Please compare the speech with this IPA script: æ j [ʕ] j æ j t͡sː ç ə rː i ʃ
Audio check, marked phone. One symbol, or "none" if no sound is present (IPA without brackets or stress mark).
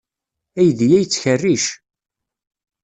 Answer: ð